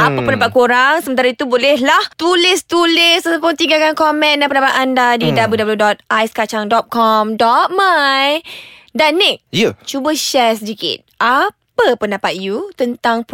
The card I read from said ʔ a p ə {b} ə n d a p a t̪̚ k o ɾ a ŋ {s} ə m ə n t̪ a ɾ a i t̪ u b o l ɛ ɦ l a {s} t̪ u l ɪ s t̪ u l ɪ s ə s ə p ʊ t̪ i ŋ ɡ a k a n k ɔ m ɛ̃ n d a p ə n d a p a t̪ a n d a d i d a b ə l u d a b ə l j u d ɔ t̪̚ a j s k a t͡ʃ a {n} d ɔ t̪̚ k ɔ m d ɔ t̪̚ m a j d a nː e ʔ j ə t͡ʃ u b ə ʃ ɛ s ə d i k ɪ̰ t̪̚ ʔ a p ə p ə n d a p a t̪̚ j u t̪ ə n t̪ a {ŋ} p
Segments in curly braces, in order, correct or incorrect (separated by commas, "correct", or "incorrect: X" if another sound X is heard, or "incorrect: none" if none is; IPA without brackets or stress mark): incorrect: p, correct, incorrect: h, incorrect: ŋ, correct